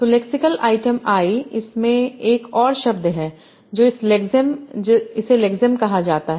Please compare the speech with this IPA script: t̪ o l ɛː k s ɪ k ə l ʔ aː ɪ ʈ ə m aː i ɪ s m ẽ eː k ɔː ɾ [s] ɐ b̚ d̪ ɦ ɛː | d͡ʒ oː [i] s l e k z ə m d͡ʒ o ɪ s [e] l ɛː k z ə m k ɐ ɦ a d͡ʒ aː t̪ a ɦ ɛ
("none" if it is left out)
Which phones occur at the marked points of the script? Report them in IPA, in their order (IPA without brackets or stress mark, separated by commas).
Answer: ʃ, ɪ, e